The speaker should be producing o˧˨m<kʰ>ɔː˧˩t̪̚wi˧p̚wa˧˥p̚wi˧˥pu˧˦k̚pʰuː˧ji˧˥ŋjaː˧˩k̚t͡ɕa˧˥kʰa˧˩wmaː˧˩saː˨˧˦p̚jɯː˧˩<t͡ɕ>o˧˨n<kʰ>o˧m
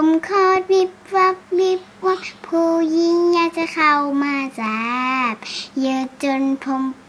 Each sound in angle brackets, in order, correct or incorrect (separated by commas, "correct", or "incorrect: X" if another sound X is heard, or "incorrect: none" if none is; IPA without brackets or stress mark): correct, correct, incorrect: pʰ